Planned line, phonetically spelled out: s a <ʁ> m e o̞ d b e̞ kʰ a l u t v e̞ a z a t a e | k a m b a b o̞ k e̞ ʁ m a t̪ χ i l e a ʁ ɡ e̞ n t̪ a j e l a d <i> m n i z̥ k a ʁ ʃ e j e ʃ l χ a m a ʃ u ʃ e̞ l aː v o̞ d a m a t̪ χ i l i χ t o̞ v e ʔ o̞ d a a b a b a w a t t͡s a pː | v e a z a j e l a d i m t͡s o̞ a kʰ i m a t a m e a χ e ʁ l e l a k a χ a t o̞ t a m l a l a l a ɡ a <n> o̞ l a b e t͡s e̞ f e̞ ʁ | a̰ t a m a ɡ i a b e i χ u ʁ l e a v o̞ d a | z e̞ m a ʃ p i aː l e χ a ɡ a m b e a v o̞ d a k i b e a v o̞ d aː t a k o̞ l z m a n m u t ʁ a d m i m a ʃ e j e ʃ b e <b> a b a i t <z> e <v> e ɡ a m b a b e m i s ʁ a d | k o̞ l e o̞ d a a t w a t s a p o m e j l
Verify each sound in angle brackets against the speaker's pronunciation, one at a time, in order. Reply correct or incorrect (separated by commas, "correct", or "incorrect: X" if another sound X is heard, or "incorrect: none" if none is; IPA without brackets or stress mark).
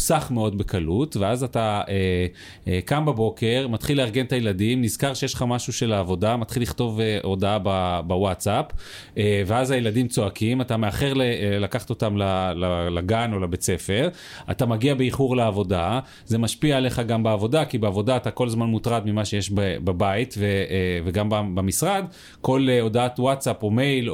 incorrect: χ, correct, correct, correct, incorrect: v, correct